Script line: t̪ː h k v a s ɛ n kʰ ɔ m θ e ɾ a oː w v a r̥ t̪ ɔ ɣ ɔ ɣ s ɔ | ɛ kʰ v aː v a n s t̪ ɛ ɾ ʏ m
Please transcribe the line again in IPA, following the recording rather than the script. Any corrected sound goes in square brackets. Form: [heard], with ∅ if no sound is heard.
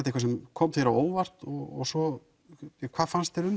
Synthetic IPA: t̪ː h k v a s ɛ [m] kʰ ɔ m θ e ɾ a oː w v a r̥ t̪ ɔ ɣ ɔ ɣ s ɔ | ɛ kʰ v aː [f] a n s t̪ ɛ ɾ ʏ m